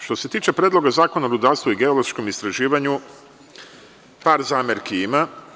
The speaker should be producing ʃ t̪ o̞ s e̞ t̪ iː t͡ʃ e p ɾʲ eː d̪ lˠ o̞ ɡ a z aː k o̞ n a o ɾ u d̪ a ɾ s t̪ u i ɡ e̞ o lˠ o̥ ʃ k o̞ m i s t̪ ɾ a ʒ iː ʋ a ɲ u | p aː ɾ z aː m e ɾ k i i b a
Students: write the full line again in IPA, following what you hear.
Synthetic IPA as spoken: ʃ t̪ o̞ s e̞ t̪ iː t͡ʃ e p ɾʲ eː d̪ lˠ o̞ ɡ a z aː k o̞ n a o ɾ u d̪ a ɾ s t̪ u i ɡ e̞ o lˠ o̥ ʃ k o̞ m i s t̪ ɾ a ʒ iː ʋ a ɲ u | p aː ɾ z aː m e ɾ k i i m a